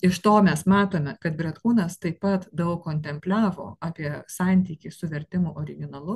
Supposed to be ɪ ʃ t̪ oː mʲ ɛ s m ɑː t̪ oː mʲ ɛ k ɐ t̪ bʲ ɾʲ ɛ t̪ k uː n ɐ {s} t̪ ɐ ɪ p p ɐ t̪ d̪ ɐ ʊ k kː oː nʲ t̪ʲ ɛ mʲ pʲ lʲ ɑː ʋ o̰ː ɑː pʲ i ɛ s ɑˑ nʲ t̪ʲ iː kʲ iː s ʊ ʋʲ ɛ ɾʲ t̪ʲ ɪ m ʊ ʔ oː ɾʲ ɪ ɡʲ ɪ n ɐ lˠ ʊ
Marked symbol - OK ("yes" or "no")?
yes